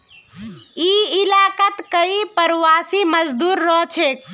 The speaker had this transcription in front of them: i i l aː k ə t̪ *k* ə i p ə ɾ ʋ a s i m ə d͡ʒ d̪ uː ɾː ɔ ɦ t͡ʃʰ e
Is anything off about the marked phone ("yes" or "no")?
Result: no